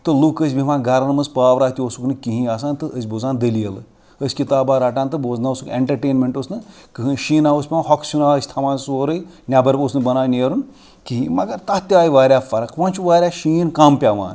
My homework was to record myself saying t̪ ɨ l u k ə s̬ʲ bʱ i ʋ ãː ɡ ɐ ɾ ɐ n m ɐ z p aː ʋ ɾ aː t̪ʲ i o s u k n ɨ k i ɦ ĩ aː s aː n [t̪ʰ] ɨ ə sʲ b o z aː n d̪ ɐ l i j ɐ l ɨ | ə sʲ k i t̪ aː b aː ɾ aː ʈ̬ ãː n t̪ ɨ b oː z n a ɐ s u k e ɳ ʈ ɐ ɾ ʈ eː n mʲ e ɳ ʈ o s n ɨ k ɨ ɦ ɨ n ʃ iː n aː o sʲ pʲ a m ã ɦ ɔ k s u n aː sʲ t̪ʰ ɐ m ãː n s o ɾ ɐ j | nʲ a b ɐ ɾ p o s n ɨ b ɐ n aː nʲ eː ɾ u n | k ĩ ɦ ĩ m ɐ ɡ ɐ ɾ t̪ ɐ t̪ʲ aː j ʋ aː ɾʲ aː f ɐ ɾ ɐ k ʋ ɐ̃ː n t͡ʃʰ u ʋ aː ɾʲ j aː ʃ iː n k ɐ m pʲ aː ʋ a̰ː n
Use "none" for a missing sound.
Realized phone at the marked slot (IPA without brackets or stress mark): t̪